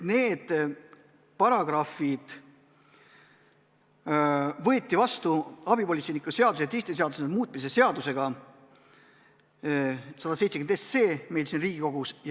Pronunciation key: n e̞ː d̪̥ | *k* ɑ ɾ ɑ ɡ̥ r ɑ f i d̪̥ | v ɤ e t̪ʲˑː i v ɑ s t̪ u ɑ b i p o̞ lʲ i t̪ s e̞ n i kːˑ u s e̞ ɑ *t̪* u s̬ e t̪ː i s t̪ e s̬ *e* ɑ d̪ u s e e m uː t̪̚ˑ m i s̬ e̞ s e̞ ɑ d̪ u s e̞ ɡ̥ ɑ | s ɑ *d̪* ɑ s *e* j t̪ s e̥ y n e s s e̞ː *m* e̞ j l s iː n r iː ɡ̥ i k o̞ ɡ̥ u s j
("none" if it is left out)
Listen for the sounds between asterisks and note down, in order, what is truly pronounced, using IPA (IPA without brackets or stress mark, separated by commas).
p, d̪, e, d̪, e, m